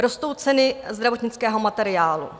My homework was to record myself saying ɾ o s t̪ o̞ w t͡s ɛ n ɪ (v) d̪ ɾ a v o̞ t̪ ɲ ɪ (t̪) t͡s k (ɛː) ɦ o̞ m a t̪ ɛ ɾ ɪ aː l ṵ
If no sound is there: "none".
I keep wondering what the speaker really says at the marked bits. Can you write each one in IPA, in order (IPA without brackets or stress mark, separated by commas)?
z, none, ɛː